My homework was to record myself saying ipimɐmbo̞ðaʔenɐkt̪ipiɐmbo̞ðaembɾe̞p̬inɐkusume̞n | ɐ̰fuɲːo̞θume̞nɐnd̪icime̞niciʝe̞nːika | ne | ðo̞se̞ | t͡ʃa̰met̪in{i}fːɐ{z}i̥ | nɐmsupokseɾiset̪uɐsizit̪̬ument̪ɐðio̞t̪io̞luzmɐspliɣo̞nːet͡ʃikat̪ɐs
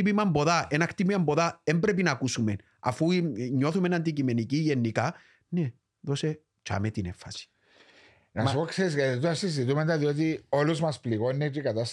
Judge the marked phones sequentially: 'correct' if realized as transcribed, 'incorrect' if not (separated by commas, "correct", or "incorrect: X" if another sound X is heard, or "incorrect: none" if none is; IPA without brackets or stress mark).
incorrect: e, incorrect: s